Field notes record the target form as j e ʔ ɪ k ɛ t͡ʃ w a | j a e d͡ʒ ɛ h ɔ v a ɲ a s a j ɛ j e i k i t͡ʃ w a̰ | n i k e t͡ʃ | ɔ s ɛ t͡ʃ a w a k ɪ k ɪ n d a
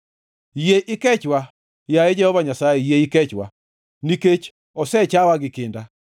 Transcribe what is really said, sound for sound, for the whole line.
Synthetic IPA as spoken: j e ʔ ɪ k ɛ t͡ʃ w a | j a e d͡ʒ ɛ h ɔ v a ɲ a s a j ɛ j e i k ɛ t͡ʃ w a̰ | n i k e t͡ʃ | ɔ s ɛ t͡ʃ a w a ɡ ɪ k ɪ n d a